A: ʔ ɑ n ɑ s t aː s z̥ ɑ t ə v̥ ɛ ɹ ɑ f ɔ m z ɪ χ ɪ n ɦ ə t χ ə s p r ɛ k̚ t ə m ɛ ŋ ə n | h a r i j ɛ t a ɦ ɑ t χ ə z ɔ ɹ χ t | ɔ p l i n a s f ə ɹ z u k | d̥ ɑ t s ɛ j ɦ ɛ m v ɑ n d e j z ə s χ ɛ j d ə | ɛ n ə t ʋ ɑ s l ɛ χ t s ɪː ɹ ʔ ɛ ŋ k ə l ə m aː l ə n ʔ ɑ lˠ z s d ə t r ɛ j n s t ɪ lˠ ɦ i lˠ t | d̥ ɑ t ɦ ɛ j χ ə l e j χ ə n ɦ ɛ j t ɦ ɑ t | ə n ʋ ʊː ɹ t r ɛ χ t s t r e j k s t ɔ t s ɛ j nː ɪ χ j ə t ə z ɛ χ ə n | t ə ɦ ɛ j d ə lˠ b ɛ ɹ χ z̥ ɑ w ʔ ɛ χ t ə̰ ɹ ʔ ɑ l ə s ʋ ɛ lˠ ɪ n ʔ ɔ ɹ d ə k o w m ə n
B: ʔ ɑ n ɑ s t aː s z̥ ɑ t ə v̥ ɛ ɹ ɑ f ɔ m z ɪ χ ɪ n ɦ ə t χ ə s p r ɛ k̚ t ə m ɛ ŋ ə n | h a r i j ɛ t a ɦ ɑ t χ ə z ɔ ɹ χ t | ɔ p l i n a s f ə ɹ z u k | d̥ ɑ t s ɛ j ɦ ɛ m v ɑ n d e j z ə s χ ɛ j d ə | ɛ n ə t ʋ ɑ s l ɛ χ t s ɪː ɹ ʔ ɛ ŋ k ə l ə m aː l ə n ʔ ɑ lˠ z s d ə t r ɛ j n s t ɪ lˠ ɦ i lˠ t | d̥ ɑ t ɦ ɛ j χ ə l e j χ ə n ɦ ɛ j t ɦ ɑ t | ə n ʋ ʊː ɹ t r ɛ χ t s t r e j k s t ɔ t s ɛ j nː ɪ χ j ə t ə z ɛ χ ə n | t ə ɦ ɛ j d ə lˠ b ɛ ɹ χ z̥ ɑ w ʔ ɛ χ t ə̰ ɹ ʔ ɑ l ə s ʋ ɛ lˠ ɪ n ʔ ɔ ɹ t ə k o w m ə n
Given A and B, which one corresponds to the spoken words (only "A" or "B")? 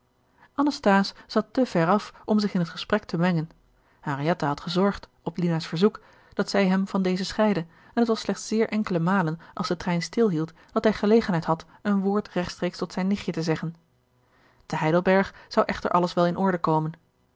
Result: A